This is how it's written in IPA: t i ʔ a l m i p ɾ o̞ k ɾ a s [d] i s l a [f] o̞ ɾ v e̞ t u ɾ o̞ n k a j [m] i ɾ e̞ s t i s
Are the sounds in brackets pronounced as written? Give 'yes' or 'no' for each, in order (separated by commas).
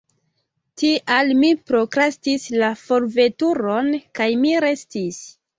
no, yes, yes